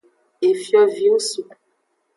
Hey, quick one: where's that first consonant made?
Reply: lips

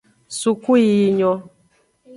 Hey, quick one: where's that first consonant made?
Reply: tongue tip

